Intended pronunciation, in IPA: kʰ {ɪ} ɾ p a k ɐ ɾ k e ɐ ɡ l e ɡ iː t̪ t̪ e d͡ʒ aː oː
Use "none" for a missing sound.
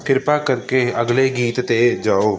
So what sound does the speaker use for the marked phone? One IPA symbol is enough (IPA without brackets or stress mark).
ɪ